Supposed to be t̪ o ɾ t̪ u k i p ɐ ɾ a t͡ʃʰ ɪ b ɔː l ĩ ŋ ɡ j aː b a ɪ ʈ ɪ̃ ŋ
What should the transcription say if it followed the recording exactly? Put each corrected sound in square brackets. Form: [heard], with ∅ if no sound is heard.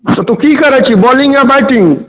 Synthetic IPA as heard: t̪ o [∅] t̪ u k i [k] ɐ ɾ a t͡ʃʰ [i] b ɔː l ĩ ŋ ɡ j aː b a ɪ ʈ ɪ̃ ŋ